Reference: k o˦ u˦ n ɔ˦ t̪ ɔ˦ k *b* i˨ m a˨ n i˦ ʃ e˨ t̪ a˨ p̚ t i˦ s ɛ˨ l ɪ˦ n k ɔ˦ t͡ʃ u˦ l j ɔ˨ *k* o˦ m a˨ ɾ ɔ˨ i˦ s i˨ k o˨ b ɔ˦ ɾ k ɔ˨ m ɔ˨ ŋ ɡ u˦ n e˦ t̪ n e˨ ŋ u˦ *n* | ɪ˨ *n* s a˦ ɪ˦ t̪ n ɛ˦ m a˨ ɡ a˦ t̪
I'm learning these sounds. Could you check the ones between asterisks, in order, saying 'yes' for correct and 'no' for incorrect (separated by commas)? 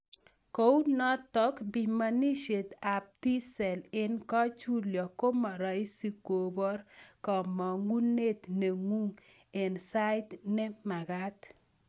yes, yes, no, yes